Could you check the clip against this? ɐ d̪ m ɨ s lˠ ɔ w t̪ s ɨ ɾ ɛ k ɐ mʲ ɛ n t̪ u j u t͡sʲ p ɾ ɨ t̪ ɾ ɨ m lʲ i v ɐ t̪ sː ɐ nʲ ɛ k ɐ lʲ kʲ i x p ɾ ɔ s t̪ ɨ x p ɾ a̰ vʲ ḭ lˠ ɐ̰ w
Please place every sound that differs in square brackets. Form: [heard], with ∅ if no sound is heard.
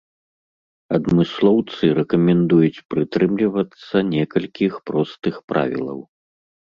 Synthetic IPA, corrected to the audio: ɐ d̪ m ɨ s lˠ ɔ w t̪ s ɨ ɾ ɛ k ɐ mʲ ɛ n [d̪] u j u t͡sʲ p ɾ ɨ t̪ ɾ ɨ m lʲ i v ɐ t̪ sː ɐ nʲ ɛ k ɐ lʲ kʲ i x p ɾ ɔ s t̪ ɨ x p ɾ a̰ vʲ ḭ lˠ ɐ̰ w